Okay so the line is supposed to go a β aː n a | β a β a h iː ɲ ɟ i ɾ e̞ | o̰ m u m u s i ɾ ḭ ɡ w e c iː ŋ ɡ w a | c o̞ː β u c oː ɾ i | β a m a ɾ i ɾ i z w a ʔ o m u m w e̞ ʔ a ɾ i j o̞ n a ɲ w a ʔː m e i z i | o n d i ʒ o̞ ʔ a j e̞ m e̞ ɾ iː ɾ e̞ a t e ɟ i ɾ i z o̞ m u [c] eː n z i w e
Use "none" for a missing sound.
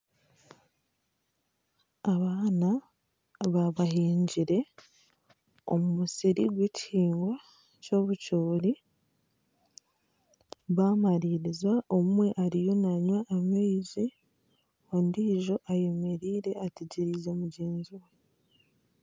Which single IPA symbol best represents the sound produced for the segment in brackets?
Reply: ɟ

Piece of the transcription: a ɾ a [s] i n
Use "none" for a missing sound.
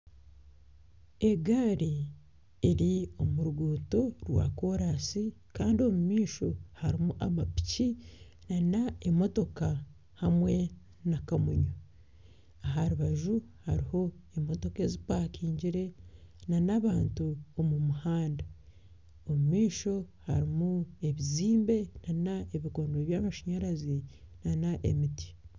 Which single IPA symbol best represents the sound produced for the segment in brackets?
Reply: z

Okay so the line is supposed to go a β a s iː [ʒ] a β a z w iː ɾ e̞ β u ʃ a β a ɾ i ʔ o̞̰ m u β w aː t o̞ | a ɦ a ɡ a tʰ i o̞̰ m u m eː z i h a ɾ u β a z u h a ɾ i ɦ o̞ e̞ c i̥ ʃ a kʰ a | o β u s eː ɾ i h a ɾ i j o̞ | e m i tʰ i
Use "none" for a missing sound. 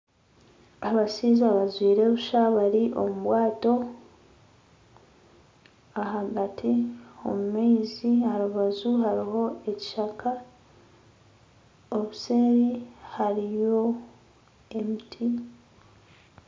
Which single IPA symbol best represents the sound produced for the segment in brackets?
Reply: z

